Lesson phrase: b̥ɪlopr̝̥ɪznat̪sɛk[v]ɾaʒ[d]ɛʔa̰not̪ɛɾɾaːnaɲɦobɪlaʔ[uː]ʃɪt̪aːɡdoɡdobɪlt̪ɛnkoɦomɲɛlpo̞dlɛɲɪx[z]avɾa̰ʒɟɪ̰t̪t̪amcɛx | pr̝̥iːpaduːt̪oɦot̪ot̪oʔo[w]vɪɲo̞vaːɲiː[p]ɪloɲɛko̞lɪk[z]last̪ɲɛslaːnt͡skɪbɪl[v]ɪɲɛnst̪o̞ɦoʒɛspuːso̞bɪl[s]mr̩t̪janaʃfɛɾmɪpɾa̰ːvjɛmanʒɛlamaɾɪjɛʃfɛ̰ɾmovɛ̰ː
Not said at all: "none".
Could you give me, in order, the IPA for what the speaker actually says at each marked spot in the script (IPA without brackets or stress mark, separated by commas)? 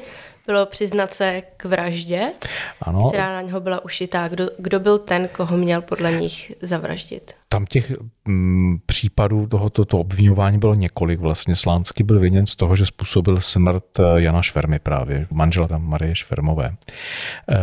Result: v, ɟ, u, z, b, b, v, v, s